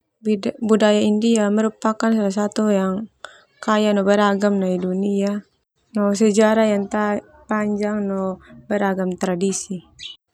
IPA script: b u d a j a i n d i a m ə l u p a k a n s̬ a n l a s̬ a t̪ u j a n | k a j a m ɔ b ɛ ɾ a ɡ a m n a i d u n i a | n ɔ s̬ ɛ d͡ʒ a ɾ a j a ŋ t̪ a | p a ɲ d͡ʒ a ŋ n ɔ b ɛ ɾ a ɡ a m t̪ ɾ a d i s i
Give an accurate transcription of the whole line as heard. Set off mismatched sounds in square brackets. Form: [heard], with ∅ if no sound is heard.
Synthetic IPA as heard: b u d a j a i n d i a m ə [ɾ] u p a k a n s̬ a [∅] l a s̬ a t̪ u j a [ŋ] | k a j a [n] ɔ b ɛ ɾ a ɡ a m n a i d u n i a | n ɔ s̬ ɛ d͡ʒ a ɾ a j a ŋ t̪ a | p a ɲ d͡ʒ a ŋ n ɔ b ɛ ɾ a ɡ a m t̪ ɾ a d i s i